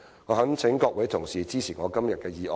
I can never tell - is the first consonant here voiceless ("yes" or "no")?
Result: no